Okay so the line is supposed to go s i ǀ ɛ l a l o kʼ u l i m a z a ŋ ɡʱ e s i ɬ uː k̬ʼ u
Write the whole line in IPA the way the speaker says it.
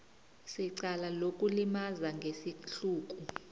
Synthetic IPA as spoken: s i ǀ a l a l o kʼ u l i m a z a ŋ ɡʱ e s i ɬ uː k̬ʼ u

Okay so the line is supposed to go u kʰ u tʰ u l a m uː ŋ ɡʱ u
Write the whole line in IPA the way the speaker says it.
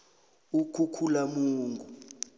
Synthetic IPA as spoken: u kʰ u kʰ u l a m uː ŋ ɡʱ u

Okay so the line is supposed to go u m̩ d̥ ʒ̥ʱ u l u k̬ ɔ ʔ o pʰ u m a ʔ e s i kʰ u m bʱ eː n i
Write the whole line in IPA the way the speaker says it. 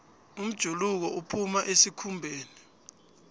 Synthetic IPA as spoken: u m̩ d̥ ʒ̥ʱ u l u k̬ ɔ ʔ u pʰ u m a ʔ e s i kʰ u m bʱ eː n i

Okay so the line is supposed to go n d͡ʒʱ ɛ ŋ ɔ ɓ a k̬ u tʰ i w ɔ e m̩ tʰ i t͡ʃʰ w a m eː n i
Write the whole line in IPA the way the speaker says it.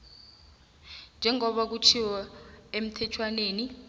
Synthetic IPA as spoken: n d͡ʒʱ ɛ ŋ ɔ ɓ a k̬ u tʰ i w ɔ e m̩ tʰ ɛ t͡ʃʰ w a n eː n i

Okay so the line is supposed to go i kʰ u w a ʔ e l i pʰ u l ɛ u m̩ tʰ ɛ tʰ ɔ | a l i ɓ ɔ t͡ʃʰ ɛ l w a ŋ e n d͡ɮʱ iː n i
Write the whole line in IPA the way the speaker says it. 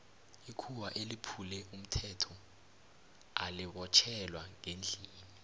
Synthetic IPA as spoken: i kʰ u w a ʔ e l i pʰ u l ɛ u m̩ tʰ ɛ tʰ ɔ | a l i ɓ ɔ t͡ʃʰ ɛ l w a ŋ e n d͡ɮʱ iː n i

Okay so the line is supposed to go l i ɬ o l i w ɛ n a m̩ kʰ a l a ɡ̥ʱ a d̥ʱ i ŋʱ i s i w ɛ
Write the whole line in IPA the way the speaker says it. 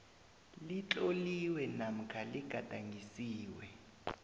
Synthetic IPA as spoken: l i t͡ɬ o l i w ɛ n a m̩ kʰ a l i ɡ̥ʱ a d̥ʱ a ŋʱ i s iː w ɛ

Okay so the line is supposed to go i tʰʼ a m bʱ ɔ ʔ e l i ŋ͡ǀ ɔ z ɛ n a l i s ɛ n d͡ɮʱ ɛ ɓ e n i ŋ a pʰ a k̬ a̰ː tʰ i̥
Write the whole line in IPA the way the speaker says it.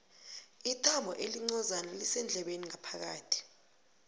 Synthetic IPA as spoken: i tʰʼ a m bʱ ɔ ʔ e l i ŋ͡ǀ ɔ z a n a l i s ɛ n d͡ɮʱ ɛ ɓ e n i ŋ a pʰ a k̬ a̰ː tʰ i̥

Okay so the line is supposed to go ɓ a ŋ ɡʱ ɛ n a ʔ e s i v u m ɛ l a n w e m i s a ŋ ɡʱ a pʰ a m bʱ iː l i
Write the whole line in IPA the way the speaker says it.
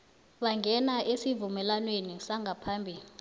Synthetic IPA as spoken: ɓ a ŋ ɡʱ ɛ n a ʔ e s i v u m ɛ l a n w e n i s a ŋ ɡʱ a pʰ a m bʱ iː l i

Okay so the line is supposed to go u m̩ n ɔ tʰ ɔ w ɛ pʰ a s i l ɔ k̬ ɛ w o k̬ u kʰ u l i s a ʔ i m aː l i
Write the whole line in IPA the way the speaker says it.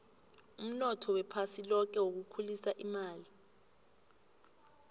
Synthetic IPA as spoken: u m̩ n ɔ tʰ ɔ w ɛ pʰ a s i l ɔ k̬ ɛ w o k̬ u kʰ u l i s a ʔ i m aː l i

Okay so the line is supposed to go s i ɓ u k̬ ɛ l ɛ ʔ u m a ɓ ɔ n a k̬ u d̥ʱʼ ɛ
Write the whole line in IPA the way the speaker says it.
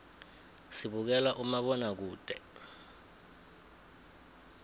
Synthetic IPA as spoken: s i ɓ u k̬ ɛ l a ʔ u m a ɓ ɔ n a k̬ uː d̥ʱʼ ɛ

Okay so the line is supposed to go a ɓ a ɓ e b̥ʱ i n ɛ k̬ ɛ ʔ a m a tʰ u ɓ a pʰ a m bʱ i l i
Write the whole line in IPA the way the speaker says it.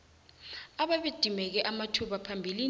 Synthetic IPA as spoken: a ɓ a ɓ e d̥ʱ i m ɛ k̬ ɛ ʔ a m a tʰ u ɓ a pʰ a m bʱ i l i

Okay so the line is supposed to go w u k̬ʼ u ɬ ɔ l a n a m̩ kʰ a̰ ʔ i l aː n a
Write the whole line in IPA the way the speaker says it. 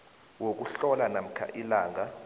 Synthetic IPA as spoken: w o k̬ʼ u ɬ ɔ l a n a m̩ kʰ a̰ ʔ i l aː ŋ a

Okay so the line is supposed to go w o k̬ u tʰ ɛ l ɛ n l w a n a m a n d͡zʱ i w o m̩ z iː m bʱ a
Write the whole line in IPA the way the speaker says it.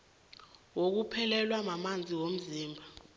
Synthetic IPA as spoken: w o k̬ u pʰ ɛ l ɛ l w a m a m a n d͡zʱ i w o m̩ z iː m bʱ a

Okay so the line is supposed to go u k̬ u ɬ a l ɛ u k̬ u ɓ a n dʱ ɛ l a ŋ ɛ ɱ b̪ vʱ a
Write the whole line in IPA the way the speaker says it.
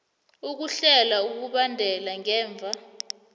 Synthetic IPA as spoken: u k̬ u ɬ ɛ l a u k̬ u ɓ a n dʱ ɛ l a ŋ ɛː ɱ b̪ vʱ a

